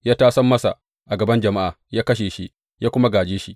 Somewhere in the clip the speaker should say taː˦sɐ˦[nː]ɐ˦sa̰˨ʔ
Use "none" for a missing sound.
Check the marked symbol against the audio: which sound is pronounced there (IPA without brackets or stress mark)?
mː